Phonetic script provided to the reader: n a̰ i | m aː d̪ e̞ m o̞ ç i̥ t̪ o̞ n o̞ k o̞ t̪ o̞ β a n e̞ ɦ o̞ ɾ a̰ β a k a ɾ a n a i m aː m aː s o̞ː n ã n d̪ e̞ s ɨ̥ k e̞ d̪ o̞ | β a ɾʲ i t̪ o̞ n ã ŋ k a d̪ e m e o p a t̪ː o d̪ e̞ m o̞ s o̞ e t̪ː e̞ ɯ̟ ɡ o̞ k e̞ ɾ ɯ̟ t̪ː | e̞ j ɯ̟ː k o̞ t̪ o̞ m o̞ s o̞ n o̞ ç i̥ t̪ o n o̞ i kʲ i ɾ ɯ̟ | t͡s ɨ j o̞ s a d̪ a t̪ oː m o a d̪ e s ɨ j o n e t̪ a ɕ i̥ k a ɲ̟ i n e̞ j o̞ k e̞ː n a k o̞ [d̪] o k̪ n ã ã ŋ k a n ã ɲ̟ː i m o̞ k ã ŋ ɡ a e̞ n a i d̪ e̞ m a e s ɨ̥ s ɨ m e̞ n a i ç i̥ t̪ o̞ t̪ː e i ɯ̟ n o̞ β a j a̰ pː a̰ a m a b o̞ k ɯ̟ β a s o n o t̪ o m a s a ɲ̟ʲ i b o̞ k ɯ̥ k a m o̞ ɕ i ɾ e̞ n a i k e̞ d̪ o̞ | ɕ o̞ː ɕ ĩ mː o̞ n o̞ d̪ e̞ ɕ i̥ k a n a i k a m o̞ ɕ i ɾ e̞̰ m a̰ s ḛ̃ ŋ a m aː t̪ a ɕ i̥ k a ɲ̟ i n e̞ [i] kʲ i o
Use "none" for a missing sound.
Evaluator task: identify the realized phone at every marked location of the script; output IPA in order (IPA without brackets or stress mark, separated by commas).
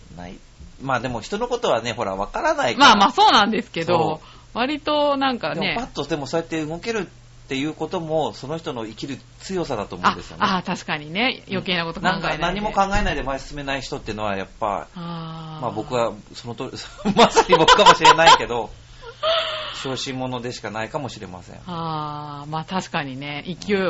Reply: t̪, i